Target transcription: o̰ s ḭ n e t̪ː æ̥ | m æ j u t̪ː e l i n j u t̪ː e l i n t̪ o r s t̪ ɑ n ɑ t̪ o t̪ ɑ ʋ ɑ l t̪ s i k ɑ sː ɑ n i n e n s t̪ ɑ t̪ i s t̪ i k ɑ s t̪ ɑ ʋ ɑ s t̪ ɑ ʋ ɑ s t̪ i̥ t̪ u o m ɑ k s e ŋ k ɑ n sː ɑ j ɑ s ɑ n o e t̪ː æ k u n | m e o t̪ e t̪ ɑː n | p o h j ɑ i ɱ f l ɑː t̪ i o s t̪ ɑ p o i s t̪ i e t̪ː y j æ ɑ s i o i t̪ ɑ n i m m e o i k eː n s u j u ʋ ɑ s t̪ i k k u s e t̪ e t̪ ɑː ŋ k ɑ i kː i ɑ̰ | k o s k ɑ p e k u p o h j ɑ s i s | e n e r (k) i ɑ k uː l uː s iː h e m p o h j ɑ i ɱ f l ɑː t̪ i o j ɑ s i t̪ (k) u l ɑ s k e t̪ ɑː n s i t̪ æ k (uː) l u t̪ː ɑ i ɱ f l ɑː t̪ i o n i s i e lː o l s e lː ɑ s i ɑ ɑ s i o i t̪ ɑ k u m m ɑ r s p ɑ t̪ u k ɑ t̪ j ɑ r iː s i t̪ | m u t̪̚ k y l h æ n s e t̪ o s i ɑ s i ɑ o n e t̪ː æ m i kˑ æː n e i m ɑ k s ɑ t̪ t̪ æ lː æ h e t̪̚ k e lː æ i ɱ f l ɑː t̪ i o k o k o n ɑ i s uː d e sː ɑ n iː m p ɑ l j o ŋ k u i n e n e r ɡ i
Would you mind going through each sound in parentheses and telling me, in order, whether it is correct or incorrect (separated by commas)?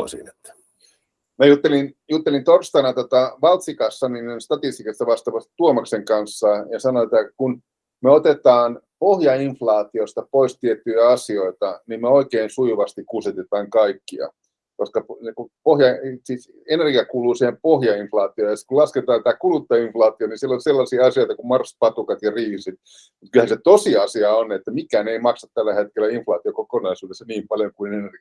incorrect, correct, incorrect